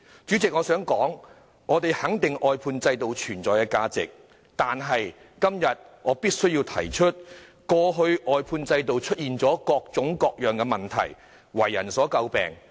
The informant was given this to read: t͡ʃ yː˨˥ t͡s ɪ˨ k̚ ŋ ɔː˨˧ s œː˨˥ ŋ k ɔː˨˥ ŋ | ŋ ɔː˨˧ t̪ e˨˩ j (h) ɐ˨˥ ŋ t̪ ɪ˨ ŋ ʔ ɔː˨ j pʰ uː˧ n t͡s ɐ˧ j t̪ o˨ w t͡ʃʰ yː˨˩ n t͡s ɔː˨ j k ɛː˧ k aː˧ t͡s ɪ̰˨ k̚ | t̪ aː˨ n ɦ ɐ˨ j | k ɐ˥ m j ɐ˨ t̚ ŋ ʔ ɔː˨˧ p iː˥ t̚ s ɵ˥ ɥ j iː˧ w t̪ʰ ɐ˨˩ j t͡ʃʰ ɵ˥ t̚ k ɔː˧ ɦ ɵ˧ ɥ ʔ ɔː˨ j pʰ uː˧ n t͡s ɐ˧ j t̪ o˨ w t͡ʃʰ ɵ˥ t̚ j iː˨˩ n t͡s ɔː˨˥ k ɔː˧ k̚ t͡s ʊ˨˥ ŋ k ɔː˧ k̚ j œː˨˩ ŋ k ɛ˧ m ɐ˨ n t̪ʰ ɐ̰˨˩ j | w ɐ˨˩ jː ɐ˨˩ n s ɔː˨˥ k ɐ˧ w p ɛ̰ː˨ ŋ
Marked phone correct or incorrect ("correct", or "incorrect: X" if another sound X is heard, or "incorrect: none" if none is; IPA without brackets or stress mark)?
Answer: correct